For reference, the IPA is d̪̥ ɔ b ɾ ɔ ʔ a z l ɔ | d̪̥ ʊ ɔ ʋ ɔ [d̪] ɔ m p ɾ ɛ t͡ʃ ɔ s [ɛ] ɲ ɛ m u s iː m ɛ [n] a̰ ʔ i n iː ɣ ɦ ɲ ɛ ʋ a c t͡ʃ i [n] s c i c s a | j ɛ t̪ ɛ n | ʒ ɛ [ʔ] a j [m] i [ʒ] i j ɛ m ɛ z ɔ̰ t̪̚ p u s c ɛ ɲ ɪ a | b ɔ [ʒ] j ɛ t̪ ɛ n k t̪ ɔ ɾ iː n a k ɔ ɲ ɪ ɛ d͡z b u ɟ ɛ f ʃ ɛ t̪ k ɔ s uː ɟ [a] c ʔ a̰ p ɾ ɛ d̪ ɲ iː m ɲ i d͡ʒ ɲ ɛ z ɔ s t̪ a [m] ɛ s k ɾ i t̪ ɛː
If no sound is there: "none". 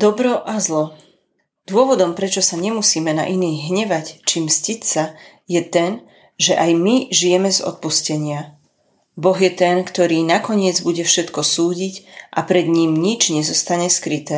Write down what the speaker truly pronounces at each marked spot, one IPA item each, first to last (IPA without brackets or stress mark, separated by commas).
d̪, a, n, m, ʔ, m, ʒ, ɣ, i, ɲ